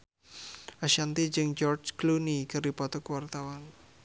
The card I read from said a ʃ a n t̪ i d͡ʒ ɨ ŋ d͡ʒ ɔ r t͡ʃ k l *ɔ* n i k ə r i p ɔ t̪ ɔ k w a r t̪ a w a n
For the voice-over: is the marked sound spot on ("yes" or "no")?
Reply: no